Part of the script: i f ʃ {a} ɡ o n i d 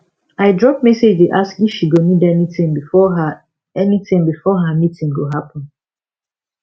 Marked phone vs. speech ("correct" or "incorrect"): incorrect